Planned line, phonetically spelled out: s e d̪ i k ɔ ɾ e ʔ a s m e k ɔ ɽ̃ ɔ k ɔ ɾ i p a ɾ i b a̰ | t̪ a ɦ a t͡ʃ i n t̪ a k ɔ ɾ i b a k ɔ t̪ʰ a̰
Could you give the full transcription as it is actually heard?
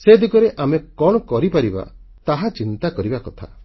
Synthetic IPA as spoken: s e d̪ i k ɔ ɾ e ʔ a m e k ɔ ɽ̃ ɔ k ɔ ɾ i p a ɾ i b a̰ | t̪ a ɦ a t͡ʃ i n t̪ a k ɔ ɾ i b a k ɔ t̪ʰ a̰